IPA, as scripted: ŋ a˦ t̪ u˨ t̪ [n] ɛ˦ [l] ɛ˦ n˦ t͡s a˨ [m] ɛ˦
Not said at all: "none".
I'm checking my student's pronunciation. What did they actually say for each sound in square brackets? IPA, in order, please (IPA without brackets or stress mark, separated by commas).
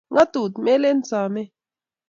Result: m, l, m